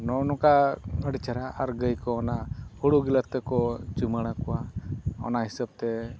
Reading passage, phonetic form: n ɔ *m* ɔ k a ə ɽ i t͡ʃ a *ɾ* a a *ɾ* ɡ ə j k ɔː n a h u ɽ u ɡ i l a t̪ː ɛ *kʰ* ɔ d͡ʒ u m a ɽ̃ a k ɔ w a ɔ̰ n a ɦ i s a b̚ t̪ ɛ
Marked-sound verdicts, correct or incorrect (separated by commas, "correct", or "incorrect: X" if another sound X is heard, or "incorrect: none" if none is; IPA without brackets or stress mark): incorrect: n, correct, correct, incorrect: k